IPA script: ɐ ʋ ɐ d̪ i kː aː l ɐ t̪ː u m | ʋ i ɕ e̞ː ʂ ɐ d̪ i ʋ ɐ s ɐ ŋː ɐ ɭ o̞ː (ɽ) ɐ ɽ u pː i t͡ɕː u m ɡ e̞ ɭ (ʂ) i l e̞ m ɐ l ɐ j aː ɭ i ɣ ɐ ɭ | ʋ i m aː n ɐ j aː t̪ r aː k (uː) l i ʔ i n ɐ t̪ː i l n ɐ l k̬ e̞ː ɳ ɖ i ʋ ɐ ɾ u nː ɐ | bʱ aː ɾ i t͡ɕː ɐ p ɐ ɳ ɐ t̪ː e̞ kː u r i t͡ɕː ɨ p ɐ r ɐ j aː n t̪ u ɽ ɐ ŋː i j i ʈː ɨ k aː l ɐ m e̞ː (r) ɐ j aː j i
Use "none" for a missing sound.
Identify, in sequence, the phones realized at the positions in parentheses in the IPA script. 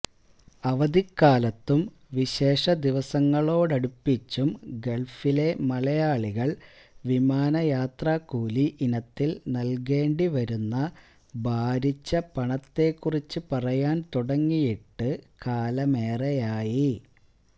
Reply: ɽ, f, uː, r

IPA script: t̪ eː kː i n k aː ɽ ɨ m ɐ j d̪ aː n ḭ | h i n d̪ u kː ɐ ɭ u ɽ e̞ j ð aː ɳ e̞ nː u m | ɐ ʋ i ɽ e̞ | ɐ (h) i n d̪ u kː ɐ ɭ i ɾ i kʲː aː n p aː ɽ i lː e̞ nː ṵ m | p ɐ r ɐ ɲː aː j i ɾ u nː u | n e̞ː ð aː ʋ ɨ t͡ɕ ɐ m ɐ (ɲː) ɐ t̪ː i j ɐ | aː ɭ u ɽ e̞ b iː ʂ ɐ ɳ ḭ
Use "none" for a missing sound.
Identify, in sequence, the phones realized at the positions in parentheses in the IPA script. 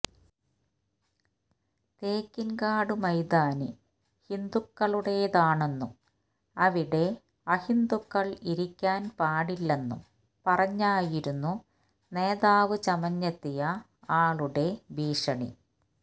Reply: h, ɲː

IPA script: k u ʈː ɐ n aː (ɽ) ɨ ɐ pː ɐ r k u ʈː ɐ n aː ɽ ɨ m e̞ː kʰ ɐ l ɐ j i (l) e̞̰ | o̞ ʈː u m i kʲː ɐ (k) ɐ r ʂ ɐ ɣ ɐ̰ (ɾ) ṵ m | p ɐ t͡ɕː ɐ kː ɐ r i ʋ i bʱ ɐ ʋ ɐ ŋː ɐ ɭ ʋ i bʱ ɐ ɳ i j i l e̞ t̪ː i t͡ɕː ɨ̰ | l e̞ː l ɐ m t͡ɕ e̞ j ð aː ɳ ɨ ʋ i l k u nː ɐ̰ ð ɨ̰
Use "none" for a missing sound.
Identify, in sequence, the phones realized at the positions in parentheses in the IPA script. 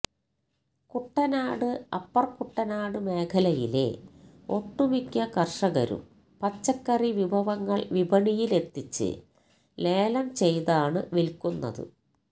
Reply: ɽ, l, k, ɾ

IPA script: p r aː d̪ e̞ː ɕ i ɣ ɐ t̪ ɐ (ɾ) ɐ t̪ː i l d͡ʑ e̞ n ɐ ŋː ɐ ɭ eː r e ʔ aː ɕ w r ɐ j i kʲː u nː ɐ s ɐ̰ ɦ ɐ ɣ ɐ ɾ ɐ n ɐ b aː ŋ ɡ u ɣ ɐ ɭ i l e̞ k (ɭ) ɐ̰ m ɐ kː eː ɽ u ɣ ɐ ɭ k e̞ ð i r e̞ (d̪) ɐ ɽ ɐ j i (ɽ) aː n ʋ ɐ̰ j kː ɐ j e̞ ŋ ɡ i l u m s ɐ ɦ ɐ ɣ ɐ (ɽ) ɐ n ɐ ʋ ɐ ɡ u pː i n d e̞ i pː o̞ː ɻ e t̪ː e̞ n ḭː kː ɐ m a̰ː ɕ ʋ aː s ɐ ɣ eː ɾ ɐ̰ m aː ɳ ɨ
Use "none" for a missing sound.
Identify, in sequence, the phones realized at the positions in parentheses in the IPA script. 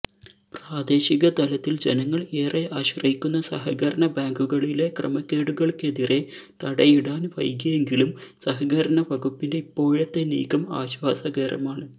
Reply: l, r, t̪, ɽ, ɾ

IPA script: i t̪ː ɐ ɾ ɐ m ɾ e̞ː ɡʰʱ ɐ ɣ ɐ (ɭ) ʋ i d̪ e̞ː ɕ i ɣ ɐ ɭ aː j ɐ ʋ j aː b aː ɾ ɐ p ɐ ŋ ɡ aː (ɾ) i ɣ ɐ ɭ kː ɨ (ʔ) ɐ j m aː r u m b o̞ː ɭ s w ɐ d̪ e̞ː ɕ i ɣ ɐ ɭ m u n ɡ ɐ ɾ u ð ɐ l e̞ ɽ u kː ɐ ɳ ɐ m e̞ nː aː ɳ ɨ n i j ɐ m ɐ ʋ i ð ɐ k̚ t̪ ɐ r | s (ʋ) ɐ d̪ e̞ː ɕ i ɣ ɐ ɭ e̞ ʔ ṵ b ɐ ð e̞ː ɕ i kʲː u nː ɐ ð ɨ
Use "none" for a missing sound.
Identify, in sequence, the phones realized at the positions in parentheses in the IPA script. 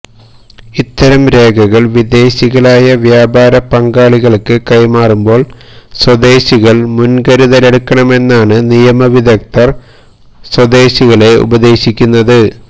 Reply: ɭ, ɭ, k, w

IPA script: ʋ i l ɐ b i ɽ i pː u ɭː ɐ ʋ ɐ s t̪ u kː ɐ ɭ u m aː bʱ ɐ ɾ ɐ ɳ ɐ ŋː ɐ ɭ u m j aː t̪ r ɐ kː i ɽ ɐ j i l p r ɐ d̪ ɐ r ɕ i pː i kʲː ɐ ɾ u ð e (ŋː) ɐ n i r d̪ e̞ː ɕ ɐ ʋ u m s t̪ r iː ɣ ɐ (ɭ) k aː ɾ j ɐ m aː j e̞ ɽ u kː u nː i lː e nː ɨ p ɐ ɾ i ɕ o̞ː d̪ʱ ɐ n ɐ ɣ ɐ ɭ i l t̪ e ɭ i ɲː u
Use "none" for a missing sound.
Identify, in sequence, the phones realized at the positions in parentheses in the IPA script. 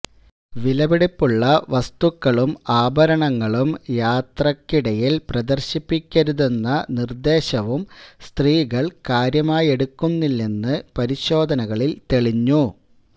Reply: nː, ɭ

